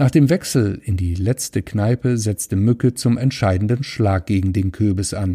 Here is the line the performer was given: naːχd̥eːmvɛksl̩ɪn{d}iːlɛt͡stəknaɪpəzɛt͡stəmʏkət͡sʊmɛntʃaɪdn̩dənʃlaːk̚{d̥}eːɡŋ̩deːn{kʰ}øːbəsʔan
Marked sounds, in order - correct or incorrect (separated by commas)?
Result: correct, incorrect, correct